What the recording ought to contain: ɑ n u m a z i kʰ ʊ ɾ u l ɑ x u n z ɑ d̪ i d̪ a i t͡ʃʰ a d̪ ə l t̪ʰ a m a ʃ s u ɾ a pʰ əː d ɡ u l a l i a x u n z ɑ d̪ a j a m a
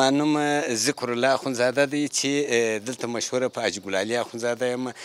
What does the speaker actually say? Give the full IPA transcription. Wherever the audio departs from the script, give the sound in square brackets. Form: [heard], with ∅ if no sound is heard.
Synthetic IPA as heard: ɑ n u m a z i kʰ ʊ ɾ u l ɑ x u n z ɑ d̪ [a] d̪ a [j] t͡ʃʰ [e] d̪ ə l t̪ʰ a m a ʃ [h] u ɾ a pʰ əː [d͡ʒ] ɡ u l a l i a x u n z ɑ d̪ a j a m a